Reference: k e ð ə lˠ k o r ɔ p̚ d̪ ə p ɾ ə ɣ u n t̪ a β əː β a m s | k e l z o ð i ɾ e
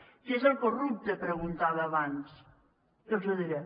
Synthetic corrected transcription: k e z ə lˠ k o r u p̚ t̪ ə p ɾ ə ɣ u n t̪ a β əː β a n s | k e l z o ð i ɾ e